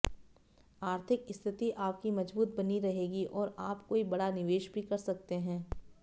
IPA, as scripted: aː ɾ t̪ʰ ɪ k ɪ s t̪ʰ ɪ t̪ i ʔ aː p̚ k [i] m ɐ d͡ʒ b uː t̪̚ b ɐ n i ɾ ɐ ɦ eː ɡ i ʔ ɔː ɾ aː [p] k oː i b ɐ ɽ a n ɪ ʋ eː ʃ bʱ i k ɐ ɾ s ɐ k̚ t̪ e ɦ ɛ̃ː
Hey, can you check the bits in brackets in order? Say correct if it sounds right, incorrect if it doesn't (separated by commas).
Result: correct, correct